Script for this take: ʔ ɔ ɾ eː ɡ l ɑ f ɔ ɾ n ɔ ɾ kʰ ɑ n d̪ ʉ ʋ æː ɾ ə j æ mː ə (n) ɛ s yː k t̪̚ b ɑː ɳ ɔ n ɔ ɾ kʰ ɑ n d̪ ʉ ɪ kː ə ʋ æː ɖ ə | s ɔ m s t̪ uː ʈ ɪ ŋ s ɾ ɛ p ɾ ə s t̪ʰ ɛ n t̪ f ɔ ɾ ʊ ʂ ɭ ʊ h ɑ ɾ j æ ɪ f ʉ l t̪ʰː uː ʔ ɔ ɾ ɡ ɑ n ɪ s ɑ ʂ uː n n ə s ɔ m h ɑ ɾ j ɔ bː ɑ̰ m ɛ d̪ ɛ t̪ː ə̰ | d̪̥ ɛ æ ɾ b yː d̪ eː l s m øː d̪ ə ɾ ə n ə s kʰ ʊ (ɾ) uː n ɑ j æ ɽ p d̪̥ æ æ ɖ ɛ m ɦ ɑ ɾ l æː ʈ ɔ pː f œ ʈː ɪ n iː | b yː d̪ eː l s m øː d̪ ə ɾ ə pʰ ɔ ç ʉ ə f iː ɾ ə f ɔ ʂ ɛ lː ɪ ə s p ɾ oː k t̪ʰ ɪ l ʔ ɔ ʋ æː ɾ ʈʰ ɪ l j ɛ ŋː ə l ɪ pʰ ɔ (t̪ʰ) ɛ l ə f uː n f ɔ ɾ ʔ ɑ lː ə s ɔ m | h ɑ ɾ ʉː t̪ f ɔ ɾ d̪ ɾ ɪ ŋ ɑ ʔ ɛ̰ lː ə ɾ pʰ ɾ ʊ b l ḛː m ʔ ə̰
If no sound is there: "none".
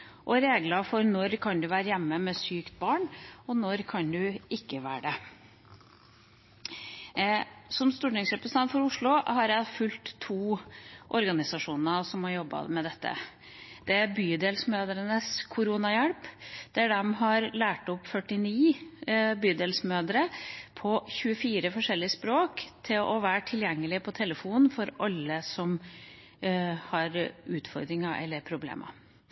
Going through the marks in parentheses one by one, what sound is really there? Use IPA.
m, ɾ, t̪ʰ

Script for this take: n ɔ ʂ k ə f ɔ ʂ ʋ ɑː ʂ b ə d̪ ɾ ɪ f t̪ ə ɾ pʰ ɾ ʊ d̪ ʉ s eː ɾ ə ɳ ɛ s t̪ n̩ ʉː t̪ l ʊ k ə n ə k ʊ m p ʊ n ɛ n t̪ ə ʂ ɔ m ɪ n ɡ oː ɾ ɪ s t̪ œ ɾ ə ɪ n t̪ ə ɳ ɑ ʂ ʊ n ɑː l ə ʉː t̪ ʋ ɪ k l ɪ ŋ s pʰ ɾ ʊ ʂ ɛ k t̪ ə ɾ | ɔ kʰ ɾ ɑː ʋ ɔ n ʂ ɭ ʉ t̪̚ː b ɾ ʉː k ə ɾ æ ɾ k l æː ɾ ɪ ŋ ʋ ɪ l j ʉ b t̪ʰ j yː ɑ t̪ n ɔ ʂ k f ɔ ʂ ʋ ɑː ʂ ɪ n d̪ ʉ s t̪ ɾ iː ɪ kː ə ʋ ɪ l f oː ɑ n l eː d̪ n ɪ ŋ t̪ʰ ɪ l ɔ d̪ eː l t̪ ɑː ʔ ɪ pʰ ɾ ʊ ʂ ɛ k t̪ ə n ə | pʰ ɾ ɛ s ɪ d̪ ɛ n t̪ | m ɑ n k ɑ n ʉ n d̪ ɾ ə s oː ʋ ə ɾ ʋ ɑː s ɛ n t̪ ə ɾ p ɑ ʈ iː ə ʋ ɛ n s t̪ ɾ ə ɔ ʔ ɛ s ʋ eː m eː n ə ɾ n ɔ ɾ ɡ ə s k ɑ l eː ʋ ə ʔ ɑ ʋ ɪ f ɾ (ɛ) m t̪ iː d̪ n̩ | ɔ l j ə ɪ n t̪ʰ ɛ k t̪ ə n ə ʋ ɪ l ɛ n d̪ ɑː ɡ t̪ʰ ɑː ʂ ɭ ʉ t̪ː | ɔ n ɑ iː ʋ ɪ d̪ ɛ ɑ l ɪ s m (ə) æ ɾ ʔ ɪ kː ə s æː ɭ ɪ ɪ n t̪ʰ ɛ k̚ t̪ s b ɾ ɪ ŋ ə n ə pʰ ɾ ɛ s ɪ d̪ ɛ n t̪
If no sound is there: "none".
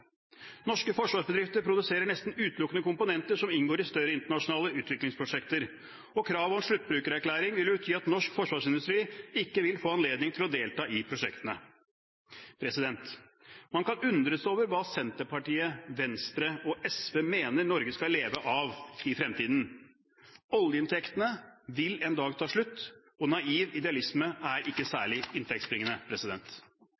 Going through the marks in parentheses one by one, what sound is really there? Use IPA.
ɛ, ə

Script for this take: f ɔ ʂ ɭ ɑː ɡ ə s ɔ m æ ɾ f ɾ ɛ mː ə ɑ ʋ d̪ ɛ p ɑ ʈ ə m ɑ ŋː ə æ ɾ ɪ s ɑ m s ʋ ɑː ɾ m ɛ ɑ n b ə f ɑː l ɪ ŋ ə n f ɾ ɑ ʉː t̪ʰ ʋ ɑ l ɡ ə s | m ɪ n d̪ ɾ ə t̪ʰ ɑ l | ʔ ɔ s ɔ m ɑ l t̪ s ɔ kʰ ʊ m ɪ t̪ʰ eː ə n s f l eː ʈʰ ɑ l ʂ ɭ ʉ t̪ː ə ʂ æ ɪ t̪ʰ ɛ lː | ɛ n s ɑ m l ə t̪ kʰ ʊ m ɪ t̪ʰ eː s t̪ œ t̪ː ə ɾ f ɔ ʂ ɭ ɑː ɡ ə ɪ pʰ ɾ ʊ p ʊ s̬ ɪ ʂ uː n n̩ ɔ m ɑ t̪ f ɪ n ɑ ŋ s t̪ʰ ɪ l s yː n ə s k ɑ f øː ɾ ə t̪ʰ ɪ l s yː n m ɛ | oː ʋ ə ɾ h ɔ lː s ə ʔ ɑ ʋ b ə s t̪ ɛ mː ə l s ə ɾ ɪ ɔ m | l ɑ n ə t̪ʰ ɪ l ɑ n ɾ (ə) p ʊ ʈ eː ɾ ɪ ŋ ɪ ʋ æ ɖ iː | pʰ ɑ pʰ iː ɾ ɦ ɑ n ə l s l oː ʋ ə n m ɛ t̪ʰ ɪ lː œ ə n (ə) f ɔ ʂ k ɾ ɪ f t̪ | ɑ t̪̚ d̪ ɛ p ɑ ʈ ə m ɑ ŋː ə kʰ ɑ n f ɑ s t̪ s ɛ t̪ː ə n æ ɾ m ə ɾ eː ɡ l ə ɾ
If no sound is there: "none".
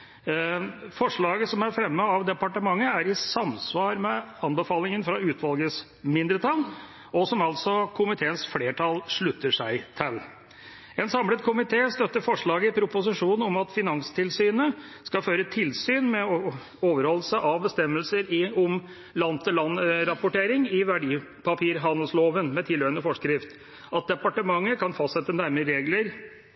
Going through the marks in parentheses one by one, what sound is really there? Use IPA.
ɑ, ə

